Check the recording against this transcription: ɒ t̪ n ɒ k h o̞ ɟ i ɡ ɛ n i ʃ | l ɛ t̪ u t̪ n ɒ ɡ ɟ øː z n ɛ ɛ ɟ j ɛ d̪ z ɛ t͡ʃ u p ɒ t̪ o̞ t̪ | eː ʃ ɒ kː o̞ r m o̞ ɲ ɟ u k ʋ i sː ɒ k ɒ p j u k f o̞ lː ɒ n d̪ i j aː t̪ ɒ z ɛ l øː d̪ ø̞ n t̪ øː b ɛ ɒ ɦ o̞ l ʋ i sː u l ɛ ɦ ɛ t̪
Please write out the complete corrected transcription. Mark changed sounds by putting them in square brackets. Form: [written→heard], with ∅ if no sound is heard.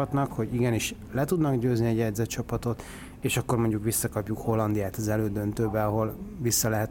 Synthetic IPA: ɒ t̪ n ɒ k h o̞ ɟ i ɡ ɛ n i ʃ | l ɛ t̪ u [t̪→d̪] n ɒ ɡ ɟ øː z n [ɛ→i] ɛ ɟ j ɛ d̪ z ɛ t͡ʃ [u→ɒ] p ɒ t̪ o̞ t̪ | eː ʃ ɒ kː o̞ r m o̞ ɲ ɟ u k ʋ i sː ɒ k ɒ p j u k [f→h] o̞ lː ɒ n d̪ i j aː t̪ ɒ z ɛ l øː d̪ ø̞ n t̪ øː b ɛ ɒ ɦ o̞ l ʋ i sː [u→ɒ] l ɛ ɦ ɛ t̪